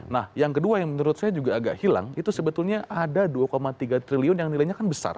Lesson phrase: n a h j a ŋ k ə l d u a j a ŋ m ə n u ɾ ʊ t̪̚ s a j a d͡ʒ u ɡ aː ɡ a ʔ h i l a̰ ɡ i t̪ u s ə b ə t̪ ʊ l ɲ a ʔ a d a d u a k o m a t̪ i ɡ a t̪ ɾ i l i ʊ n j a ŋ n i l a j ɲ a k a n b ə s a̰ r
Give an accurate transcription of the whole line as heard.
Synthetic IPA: n a h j a ŋ k ə d u a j a ŋ m ə n u ɾ ʊ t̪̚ s a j a d͡ʒ u ɡ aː ɡ a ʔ h i l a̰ ŋ i t̪ u s ə b ə t̪ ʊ l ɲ a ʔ a d a d u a k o m a t̪ i ɡ a t̪ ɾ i l i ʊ n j a ŋ n i l a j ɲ a k a n b ə s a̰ r